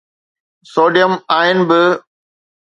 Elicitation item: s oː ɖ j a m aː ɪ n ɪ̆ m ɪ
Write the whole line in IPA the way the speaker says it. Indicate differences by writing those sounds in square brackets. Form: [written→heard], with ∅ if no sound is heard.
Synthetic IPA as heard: s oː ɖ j [a→ə] m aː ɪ n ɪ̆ [m→b] ɪ